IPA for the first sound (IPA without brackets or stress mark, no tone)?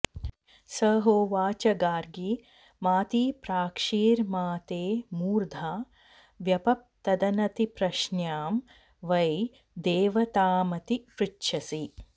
s